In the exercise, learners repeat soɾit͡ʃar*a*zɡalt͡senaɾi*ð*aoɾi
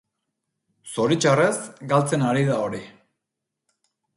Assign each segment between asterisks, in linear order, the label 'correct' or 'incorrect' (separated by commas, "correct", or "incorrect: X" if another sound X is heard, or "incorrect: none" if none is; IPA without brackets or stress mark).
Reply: incorrect: e, correct